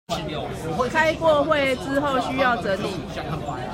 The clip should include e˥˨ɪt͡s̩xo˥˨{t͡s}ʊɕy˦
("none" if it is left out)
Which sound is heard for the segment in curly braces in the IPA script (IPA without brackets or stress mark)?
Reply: none